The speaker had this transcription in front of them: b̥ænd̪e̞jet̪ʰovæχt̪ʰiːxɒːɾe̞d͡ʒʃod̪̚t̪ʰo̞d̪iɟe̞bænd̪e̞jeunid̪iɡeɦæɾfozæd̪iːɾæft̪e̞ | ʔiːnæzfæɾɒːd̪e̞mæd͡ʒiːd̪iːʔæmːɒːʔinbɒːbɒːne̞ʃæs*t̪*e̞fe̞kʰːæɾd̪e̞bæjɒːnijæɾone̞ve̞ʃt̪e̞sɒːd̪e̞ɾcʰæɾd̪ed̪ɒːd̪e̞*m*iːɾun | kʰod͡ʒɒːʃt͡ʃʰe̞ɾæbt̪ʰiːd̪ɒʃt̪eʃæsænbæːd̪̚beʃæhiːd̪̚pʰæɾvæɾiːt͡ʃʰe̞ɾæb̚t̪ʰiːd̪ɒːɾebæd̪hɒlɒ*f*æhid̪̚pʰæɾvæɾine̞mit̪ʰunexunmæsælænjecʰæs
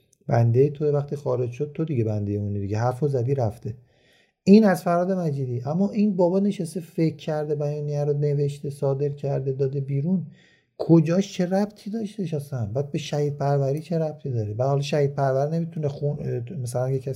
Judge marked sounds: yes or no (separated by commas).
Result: yes, no, no